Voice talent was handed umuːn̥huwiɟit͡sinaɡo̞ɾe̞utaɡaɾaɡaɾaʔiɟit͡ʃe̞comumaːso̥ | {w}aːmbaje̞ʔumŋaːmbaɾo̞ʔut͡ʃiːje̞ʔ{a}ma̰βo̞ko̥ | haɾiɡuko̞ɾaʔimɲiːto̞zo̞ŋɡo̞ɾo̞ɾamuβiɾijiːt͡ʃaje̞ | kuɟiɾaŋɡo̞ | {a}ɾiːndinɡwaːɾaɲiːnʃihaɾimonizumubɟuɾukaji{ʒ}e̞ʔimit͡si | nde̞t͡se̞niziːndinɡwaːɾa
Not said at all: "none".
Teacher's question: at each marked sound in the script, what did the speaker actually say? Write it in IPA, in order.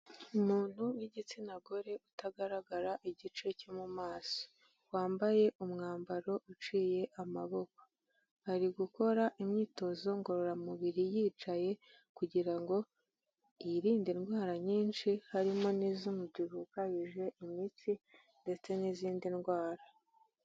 w, a, i, ʒ

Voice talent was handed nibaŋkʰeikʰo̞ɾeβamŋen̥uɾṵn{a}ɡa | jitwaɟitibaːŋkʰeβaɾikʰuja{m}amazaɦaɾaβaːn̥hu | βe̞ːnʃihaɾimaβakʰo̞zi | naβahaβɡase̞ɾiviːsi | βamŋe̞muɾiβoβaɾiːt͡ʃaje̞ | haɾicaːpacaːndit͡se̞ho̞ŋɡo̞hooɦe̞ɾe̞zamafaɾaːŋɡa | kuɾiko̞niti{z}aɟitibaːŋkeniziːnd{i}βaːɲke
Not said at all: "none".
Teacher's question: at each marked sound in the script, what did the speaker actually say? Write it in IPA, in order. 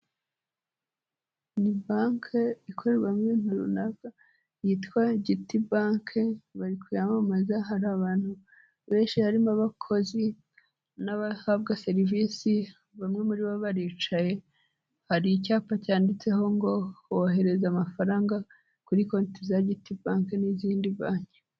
a, m, z, i

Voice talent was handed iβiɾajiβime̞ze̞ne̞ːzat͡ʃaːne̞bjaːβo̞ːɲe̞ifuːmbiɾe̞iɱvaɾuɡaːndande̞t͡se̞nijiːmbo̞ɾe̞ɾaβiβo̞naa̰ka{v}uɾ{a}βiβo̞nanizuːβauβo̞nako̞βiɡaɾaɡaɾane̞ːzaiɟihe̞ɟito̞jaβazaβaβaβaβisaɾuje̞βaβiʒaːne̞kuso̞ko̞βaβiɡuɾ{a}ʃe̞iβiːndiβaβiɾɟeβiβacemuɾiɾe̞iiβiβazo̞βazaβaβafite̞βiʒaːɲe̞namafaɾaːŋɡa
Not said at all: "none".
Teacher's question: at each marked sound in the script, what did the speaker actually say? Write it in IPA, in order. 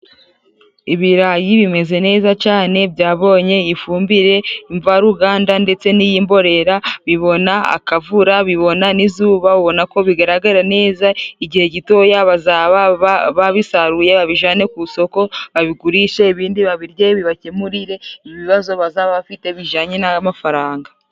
v, a, i

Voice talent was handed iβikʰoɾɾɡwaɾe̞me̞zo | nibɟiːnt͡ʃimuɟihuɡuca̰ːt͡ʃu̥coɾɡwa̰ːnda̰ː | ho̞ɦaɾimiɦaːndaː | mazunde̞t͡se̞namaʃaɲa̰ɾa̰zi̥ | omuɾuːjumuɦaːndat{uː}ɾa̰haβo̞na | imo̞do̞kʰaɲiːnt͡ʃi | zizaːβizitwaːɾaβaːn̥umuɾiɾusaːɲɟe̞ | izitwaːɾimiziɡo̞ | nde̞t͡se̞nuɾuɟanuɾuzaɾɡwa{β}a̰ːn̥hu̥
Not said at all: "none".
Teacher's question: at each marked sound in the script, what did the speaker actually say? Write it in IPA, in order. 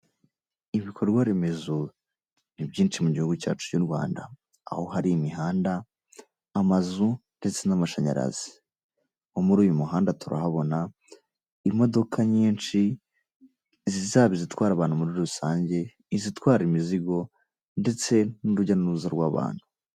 u, β

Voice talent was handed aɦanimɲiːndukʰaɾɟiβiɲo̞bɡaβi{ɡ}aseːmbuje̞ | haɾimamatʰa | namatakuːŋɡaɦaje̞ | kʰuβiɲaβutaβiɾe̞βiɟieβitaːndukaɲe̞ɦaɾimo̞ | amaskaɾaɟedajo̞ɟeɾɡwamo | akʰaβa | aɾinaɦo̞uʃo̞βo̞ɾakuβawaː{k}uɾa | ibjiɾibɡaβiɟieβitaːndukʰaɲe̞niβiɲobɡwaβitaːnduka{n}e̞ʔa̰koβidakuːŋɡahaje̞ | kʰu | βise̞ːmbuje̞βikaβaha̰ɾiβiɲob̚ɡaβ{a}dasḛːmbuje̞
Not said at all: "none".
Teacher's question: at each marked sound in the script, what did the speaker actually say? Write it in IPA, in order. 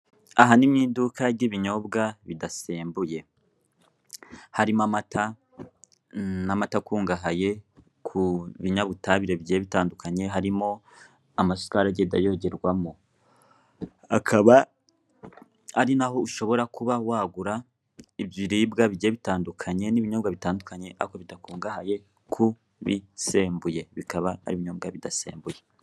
d, ɡ, ɲ, i

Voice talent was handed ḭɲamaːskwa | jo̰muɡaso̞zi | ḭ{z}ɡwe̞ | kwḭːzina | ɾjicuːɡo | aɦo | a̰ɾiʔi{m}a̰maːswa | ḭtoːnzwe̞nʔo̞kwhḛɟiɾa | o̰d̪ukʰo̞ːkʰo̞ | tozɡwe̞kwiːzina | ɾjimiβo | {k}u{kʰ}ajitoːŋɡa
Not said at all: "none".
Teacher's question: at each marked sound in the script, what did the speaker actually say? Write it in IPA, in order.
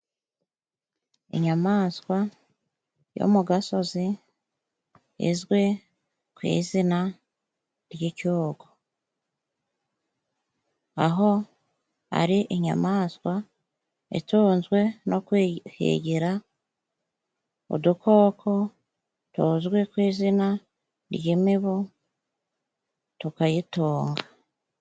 z, ɲ, t, k

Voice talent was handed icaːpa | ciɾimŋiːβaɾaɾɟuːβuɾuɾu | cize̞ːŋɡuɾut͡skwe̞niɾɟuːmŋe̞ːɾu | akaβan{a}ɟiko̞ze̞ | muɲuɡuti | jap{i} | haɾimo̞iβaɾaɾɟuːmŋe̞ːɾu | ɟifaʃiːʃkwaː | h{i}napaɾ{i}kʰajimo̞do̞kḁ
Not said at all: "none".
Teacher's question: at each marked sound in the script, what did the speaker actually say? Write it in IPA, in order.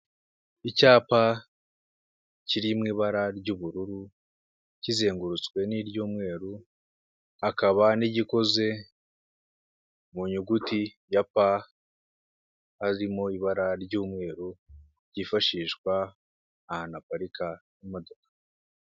i, a, a, i

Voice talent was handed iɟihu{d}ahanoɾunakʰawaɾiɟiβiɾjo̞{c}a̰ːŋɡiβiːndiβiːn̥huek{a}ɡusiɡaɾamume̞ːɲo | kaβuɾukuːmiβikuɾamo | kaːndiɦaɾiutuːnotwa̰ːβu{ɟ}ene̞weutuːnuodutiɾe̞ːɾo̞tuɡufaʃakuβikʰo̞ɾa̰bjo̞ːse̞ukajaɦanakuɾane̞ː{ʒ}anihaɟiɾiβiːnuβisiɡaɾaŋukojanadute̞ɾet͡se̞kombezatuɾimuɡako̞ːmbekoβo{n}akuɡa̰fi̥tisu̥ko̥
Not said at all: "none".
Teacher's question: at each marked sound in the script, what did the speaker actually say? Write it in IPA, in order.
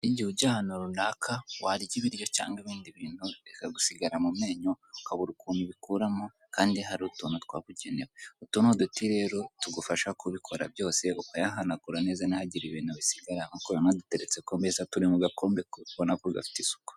ɟ, c, a, ɟ, z, n

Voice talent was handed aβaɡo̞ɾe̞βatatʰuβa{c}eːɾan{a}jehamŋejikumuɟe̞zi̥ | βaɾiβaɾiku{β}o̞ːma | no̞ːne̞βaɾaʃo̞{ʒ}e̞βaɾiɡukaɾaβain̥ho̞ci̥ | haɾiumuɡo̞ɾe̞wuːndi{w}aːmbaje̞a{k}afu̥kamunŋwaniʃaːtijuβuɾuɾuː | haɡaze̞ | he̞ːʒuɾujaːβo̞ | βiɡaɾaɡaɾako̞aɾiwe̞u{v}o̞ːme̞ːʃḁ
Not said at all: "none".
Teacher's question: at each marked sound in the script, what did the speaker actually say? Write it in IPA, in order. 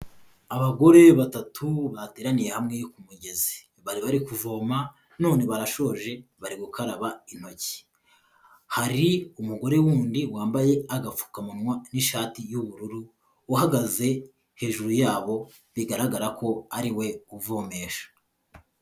t, i, v, ʒ, w, ɡ, v

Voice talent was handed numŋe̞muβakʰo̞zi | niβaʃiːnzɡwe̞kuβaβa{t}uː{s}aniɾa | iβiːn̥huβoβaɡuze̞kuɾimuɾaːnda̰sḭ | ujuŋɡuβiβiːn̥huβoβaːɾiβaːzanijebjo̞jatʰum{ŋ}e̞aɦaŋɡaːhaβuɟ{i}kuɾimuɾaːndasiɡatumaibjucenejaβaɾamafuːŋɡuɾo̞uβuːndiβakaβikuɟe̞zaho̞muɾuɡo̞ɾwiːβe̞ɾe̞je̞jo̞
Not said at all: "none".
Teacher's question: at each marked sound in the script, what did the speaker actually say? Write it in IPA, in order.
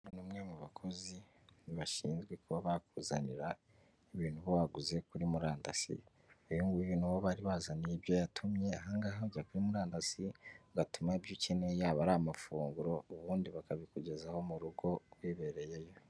k, z, ɲ, a

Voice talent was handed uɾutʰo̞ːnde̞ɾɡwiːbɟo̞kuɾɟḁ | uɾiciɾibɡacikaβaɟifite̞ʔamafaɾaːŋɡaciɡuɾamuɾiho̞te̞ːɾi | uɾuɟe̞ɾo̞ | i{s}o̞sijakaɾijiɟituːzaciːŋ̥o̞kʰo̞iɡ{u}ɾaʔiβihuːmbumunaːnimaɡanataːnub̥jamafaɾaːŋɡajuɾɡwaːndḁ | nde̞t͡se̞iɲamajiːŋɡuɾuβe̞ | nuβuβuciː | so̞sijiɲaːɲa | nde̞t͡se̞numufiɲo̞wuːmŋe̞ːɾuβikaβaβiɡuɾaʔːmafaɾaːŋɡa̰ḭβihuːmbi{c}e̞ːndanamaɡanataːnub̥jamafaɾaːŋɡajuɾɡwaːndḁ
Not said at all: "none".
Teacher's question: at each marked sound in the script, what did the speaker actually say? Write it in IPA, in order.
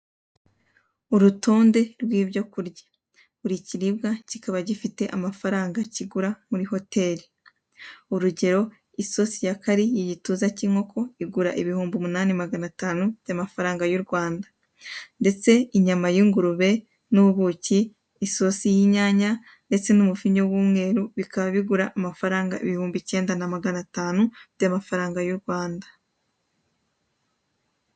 s, u, c

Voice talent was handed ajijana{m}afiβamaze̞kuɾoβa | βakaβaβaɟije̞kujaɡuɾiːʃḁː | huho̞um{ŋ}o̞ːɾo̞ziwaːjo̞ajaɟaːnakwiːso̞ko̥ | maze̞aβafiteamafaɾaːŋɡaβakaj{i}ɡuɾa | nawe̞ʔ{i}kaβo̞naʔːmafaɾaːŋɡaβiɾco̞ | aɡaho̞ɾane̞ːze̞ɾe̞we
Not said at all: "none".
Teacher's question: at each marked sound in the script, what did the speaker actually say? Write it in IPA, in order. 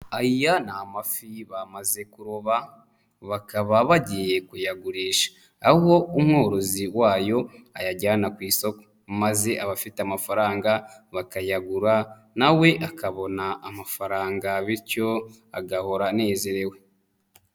m, ŋ, a, a

